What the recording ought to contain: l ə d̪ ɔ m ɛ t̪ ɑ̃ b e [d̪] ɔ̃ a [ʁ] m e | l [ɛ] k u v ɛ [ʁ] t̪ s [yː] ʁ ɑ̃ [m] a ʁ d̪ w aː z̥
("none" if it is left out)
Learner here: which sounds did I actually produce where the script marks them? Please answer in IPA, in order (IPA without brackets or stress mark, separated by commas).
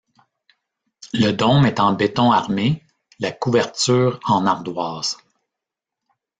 t̪, ʁ, a, ʁ, yː, n